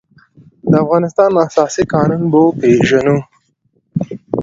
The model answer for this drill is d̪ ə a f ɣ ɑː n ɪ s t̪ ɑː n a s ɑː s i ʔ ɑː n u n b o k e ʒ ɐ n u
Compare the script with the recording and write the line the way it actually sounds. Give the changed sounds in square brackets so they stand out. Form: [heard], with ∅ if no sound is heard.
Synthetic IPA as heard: d̪ ə a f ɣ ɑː n ɪ s t̪ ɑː n a s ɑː s i [k] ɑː n u n b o [p] e ʒ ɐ n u